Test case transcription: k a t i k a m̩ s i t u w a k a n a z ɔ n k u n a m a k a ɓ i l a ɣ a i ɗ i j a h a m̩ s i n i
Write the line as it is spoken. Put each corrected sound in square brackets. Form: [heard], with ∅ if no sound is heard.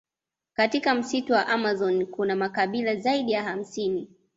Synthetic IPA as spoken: k a t i k a m̩ s i t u w a [ʔ] a [m] a z ɔ n k u n a m a k a ɓ i l a [z] a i ɗ i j a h a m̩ s i n i